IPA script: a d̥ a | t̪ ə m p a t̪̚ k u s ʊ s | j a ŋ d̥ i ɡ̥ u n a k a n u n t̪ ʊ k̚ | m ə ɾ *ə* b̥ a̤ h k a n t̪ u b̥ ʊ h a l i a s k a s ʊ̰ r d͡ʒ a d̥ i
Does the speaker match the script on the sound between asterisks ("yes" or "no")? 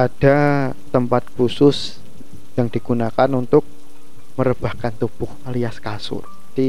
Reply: yes